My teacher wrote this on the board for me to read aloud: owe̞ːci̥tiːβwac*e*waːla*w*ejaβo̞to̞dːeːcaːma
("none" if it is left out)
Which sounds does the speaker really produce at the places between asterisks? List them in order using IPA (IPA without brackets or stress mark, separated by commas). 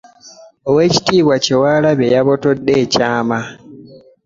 e, β